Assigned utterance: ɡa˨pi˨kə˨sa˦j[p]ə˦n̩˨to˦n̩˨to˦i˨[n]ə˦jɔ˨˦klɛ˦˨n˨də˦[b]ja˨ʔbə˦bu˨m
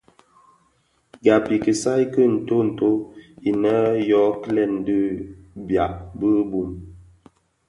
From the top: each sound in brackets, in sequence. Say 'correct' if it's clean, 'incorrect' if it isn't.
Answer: incorrect: k, correct, correct

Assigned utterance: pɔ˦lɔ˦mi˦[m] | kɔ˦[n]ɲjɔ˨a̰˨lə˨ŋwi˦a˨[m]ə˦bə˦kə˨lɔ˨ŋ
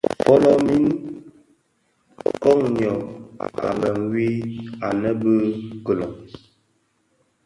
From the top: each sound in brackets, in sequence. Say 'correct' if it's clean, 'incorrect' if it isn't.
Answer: incorrect: n, incorrect: ŋ, incorrect: n

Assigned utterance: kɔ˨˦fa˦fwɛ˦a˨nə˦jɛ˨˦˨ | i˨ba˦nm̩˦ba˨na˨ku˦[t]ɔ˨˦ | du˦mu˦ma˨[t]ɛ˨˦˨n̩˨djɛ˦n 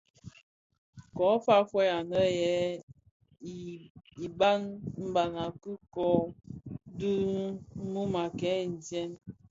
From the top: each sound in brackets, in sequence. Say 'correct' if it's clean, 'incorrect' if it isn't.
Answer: incorrect: k, incorrect: k

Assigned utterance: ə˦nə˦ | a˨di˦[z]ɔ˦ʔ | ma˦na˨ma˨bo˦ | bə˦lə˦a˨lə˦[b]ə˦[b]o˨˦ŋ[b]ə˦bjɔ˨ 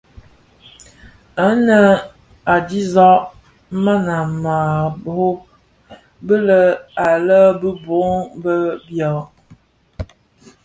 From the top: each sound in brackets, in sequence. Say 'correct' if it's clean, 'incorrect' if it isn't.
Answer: correct, correct, correct, correct

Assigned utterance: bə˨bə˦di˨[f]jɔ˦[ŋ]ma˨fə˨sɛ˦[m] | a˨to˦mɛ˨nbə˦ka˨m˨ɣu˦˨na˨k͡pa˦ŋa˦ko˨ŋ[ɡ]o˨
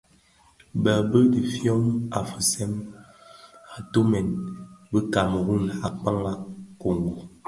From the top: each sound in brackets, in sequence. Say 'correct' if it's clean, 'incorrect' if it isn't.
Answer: correct, incorrect: none, correct, correct

